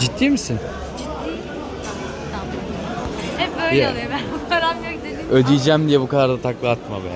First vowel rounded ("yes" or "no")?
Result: no